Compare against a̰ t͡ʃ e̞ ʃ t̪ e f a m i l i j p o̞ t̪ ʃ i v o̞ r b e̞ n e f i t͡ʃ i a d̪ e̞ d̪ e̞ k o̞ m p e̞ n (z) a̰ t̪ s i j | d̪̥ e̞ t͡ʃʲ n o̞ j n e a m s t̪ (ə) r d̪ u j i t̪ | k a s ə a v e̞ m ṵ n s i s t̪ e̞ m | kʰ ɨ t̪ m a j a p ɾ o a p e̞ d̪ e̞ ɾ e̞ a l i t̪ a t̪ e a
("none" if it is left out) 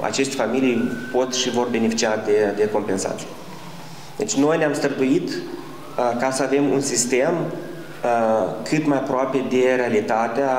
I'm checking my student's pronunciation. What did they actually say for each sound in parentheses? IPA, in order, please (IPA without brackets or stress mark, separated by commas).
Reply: s, ə